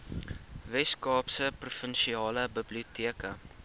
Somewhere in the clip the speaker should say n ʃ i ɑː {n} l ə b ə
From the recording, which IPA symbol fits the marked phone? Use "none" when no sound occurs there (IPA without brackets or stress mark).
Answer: none